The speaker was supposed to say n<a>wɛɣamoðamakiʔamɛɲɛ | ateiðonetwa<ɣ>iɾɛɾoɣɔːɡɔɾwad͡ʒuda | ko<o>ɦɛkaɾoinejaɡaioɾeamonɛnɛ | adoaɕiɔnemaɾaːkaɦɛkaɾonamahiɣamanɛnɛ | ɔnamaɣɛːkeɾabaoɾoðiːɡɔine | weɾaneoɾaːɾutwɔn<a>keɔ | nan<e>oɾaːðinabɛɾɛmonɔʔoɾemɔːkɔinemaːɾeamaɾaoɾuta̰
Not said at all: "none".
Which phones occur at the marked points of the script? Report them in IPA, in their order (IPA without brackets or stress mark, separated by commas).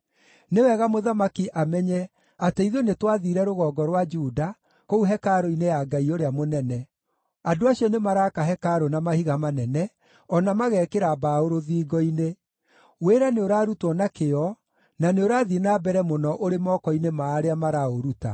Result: e, ð, u, a, e